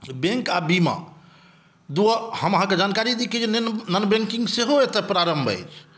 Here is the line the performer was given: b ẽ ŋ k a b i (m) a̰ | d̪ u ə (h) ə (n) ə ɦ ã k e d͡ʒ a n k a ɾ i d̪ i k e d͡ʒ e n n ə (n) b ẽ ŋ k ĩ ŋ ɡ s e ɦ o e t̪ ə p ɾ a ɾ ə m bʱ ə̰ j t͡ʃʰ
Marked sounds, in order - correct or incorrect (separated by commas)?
correct, correct, incorrect, correct